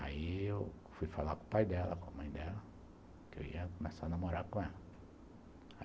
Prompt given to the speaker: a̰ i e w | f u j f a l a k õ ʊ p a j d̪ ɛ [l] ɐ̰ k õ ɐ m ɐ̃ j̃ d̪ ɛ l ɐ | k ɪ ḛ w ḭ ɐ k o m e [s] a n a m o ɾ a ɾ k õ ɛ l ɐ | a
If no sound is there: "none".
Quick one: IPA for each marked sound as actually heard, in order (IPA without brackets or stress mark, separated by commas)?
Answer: l, s